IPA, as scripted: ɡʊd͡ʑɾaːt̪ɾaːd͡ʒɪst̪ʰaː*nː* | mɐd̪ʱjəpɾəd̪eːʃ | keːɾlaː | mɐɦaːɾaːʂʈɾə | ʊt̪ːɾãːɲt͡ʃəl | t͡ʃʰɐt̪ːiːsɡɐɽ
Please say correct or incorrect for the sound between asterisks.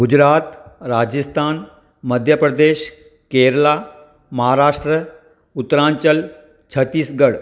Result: incorrect